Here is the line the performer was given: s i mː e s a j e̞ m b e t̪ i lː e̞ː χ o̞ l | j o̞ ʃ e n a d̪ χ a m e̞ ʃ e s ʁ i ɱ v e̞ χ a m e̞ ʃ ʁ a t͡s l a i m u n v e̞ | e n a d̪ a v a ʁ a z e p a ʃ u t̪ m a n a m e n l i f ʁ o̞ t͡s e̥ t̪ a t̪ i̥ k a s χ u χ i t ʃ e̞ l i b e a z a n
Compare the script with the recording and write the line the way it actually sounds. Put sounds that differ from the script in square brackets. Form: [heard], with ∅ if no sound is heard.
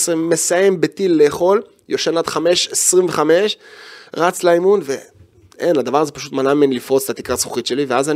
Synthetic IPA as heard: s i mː e s a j e̞ m b e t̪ i lː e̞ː χ o̞ l | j o̞ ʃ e n a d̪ χ a m e̞ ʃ e s ʁ i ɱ v e̞ χ a m e̞ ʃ ʁ a t͡s l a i m u n v e̞ | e n a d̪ a v a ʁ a z e p a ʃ u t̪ m a n a m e n l i f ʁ o̞ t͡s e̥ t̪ a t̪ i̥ k a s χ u χ i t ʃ e̞ l i [v] e a z a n